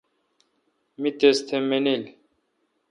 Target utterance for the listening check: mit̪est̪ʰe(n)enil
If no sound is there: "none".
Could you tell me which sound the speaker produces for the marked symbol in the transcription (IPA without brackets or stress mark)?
m